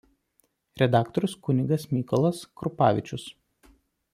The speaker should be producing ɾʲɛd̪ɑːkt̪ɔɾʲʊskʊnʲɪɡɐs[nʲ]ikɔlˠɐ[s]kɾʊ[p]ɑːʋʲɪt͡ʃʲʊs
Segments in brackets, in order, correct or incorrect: incorrect, correct, correct

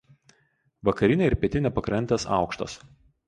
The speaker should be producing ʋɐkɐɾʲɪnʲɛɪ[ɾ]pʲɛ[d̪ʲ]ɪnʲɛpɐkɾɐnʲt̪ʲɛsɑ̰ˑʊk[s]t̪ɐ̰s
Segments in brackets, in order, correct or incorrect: correct, incorrect, incorrect

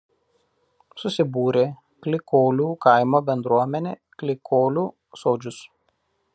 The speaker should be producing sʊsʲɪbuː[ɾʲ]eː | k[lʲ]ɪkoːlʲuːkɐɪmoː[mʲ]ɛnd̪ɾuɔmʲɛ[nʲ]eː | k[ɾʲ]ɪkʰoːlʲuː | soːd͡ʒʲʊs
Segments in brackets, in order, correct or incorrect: correct, correct, incorrect, correct, incorrect

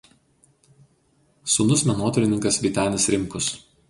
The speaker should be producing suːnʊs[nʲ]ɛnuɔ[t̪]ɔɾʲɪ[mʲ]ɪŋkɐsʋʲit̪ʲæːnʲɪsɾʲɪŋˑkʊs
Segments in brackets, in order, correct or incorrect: incorrect, correct, incorrect

